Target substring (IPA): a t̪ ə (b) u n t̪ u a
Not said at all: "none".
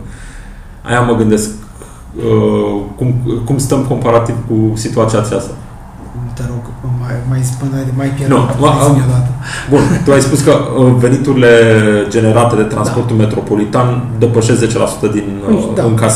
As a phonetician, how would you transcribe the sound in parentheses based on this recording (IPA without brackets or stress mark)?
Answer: b